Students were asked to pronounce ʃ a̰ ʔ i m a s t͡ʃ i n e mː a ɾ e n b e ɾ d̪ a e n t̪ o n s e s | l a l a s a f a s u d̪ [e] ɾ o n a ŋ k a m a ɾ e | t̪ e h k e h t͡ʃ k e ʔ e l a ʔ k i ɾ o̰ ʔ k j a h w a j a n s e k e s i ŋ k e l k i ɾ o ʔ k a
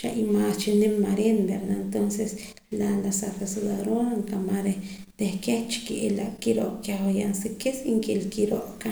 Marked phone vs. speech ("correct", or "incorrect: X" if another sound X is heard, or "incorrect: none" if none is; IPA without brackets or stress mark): incorrect: a